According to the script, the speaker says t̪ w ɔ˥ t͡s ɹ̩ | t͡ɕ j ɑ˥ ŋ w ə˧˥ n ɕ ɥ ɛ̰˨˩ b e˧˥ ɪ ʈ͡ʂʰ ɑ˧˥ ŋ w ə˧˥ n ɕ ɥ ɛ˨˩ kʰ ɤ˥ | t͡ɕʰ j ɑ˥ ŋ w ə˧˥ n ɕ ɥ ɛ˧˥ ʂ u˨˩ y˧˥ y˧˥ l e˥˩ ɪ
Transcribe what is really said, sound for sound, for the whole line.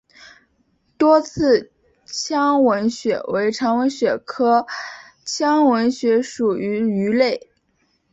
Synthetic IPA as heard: t̪ w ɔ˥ t͡sʰ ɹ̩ | t͡ɕʰ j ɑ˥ ŋ w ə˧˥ n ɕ ɥ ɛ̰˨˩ w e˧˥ ɪ ʈ͡ʂʰ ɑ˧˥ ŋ w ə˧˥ n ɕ ɥ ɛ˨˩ kʰ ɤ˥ | t͡ɕʰ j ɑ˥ ŋ w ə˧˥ n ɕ ɥ ɛ˧˥ ʂ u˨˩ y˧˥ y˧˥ l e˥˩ ɪ